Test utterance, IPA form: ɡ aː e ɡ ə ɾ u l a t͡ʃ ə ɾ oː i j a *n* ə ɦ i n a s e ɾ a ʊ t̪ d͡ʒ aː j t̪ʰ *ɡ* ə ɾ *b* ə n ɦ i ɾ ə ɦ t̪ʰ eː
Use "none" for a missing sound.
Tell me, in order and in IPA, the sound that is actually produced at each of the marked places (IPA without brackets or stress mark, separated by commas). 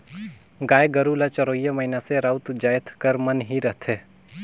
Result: m, k, m